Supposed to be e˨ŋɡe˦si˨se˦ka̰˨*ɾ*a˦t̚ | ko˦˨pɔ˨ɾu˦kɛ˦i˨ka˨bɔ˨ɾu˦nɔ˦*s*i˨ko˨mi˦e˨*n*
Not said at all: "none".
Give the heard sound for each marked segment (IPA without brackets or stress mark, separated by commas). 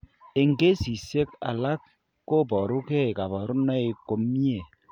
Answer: l, none, none